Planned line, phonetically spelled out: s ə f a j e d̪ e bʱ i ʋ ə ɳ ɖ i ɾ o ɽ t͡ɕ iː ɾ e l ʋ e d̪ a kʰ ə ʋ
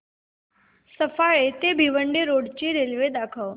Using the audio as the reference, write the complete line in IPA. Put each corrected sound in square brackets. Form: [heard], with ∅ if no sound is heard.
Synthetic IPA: s ə f a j e [t̪] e bʱ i ʋ ə ɳ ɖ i ɾ o ɽ t͡ɕ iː ɾ e l ʋ e d̪ a kʰ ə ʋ